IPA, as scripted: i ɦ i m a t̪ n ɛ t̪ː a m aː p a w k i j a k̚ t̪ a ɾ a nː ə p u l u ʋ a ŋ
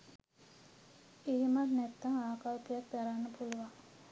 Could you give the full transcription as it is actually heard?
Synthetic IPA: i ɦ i m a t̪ n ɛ t̪ː a ŋ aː k a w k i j a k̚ d̪ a ɾ a nː ə p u l u ʋ a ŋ